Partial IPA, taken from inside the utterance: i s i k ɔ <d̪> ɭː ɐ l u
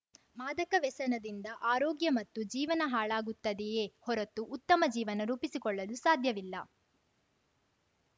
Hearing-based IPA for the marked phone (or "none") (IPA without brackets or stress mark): none